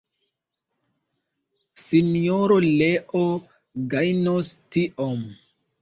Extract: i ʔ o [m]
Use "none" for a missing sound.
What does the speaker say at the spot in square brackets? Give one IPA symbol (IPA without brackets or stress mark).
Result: m